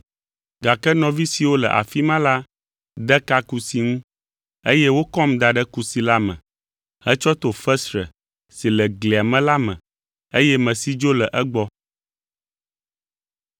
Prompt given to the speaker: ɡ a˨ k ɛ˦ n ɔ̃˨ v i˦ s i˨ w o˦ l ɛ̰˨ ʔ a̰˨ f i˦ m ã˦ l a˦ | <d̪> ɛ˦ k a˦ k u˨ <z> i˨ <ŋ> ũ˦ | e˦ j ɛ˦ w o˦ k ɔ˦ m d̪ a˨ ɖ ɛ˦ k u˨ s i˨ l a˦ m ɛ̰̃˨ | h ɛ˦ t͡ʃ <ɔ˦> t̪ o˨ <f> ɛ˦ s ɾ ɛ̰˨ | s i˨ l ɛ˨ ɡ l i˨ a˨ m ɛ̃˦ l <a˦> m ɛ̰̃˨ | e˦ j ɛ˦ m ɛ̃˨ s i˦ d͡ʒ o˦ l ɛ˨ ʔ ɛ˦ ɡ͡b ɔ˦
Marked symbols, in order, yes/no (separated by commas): yes, no, yes, yes, yes, yes